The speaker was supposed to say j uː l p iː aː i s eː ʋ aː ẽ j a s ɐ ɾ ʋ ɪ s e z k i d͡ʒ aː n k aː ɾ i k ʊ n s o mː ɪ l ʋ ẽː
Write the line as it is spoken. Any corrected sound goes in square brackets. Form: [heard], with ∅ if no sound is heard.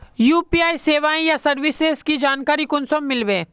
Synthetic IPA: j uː [∅] p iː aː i s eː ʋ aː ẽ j a s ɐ ɾ ʋ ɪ s e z k i d͡ʒ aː n k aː ɾ i k ʊ n s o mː ɪ l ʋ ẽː

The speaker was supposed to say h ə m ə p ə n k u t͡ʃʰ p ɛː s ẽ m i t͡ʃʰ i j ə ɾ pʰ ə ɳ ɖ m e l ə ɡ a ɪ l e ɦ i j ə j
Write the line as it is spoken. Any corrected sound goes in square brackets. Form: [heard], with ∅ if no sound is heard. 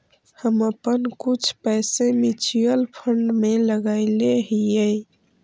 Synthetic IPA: h ə m ə p ə n k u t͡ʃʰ p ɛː s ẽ m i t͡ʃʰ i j ə [l] pʰ ə ɳ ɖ m e l ə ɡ a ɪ l e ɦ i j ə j

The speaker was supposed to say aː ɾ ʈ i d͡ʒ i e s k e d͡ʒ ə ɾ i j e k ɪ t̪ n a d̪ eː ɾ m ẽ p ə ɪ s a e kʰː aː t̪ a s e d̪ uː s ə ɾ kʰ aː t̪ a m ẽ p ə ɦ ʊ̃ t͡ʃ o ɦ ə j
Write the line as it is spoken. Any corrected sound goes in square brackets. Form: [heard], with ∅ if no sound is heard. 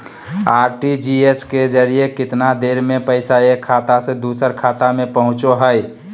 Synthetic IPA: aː ɾ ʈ i d͡ʒ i e s k e d͡ʒ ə ɾ i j e k ɪ t̪ n a d̪ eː ɾ m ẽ p ə ɪ s a e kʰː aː t̪ a s e d̪ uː s ə ɾ kʰ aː t̪ a m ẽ p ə ɦ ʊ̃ t͡ʃ o ɦ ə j

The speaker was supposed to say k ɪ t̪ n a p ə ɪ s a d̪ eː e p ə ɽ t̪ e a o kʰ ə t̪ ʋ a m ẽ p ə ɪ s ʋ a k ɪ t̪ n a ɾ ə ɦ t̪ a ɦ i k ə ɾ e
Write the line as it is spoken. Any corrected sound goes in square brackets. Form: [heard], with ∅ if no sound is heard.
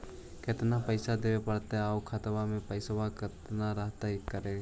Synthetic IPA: k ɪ t̪ n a p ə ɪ s a d̪ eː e p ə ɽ t̪ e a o kʰ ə t̪ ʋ a m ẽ p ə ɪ s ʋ a k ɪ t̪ n a ɾ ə ɦ t̪ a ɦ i k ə ɾ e

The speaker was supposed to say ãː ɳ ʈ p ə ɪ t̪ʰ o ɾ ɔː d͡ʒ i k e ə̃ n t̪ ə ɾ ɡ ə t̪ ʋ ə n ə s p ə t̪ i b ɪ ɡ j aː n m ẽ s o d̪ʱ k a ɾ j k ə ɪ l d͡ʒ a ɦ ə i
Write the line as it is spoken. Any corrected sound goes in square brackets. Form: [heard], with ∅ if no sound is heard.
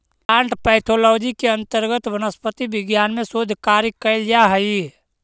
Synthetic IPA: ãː ɳ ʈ p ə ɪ t̪ʰ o [l] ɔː d͡ʒ i k e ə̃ n t̪ ə ɾ ɡ ə t̪ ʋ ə n ə s p ə t̪ i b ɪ ɡ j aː n m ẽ s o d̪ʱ k a ɾ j k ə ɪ l d͡ʒ a ɦ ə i

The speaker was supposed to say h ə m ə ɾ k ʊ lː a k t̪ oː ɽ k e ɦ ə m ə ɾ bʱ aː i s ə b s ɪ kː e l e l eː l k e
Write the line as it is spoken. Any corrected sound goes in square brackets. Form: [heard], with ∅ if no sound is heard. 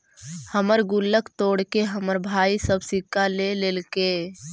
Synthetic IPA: h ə m ə ɾ [ɡ] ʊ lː [ə] k t̪ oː ɽ k e ɦ ə m ə ɾ bʱ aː i s ə b s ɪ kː [a] l e l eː l k e

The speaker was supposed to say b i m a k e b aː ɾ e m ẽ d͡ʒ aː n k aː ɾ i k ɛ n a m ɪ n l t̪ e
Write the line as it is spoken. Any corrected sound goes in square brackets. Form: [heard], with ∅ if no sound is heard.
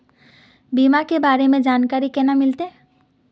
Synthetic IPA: b i m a k e b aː ɾ e m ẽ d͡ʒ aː n k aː ɾ i k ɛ n a m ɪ [∅] l t̪ e

